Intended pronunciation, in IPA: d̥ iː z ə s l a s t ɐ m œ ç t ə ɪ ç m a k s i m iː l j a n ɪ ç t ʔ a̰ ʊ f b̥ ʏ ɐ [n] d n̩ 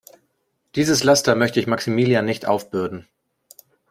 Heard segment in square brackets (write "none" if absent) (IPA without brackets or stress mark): none